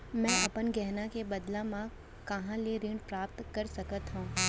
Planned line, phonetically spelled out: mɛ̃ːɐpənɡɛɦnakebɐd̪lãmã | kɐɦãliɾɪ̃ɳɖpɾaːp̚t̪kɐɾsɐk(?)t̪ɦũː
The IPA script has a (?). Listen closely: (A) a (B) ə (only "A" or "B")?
B